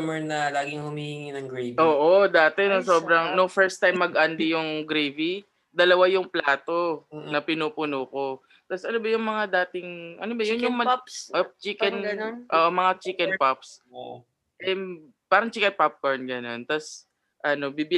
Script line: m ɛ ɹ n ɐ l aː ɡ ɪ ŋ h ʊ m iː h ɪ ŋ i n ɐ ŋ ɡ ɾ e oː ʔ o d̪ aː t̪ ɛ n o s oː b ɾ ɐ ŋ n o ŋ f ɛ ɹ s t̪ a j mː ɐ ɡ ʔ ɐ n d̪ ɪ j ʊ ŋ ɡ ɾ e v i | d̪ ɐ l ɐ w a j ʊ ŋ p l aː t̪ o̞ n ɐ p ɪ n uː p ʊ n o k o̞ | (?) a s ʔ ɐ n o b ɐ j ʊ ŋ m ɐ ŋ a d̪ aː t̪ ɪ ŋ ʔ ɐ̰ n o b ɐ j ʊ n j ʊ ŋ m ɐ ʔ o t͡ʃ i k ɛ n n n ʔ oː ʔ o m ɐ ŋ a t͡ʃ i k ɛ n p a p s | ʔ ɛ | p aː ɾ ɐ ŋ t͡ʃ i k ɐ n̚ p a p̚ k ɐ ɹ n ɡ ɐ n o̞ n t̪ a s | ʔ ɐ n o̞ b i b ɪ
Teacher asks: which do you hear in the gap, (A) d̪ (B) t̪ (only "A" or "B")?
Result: B